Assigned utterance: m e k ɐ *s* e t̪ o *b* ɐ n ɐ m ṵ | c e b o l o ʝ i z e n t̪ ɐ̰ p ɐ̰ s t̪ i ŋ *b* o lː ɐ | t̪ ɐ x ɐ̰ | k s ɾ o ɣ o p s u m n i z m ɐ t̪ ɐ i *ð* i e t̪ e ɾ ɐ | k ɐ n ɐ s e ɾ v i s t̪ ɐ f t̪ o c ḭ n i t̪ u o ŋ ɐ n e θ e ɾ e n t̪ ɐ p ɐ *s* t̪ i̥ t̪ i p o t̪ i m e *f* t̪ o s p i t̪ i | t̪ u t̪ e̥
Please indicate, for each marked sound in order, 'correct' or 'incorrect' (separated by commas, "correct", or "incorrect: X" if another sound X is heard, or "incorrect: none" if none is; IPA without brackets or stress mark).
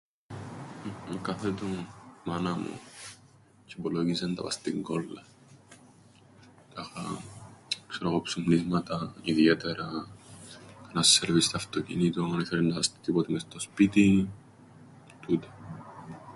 incorrect: θ, incorrect: m, incorrect: ɡ, correct, correct, incorrect: s